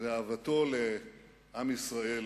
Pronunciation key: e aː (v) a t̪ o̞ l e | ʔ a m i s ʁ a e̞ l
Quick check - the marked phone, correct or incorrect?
correct